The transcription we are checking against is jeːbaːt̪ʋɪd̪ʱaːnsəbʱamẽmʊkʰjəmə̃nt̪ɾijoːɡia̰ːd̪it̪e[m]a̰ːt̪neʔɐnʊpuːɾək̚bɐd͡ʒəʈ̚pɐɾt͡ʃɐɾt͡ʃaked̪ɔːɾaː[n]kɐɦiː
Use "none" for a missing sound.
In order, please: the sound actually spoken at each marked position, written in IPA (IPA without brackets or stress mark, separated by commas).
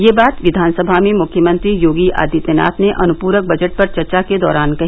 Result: n, n